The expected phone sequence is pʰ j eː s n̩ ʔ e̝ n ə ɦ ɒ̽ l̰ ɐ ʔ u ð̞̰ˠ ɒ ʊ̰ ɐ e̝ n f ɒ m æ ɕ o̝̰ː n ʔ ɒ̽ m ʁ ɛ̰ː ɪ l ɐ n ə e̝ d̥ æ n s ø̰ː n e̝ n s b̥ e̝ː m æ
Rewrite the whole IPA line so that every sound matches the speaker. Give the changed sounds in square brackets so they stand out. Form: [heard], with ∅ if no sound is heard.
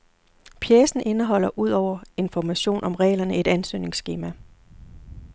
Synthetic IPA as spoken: pʰ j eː s n̩ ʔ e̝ n ə ɦ ɒ̽ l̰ ɐ ʔ u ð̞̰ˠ ɒ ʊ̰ ɐ e̝ n f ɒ m æ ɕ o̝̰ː n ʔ ɒ̽ m ʁ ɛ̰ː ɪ l ɐ n ə e̝ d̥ æ n s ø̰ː n e̝ [ŋ] s [ɡ̥] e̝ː m æ